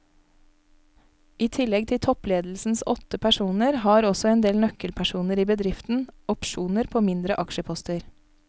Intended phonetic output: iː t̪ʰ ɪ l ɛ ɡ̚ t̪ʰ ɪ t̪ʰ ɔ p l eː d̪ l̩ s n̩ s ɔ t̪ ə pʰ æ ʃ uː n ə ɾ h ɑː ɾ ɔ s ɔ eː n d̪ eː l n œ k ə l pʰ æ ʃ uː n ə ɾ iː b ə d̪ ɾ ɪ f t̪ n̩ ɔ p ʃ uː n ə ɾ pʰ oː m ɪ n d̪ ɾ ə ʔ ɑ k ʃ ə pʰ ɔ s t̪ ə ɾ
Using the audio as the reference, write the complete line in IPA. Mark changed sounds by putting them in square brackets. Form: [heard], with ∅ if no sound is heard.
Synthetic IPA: iː t̪ʰ ɪ l ɛ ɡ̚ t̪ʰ ɪ t̪ʰ ɔ p l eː d̪ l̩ s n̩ s ɔ t̪ ə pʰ æ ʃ uː n ə ɾ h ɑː ɾ ɔ s ɔ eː n d̪ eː l n œ k ə l pʰ æ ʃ uː n ə ɾ iː b ə d̪ ɾ ɪ f t̪ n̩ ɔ p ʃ uː n ə ɾ pʰ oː m ɪ n d̪ ɾ ə ʔ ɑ k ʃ ə pʰ ɔ s t̪ ə ɾ